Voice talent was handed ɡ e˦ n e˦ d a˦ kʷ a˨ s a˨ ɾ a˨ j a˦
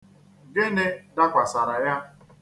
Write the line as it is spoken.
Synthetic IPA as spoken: ɡ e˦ n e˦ d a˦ kʷ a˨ s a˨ ɾ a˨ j a˦